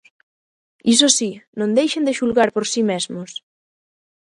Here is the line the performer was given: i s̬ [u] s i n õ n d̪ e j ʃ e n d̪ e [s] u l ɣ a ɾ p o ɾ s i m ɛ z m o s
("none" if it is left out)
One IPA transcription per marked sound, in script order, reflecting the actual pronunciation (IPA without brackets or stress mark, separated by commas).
o, ʃ